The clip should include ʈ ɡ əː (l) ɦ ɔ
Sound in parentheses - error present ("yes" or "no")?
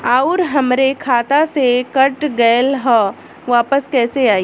no